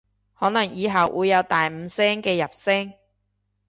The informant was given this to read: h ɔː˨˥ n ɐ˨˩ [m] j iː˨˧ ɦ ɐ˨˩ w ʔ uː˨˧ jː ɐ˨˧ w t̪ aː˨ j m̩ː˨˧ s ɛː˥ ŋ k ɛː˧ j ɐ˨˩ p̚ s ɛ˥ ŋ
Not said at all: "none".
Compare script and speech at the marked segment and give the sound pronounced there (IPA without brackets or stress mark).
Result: ŋ